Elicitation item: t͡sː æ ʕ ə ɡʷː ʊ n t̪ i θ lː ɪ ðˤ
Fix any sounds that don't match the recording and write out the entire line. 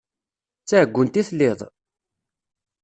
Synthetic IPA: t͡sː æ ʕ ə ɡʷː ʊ n t̪ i θ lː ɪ ðˤ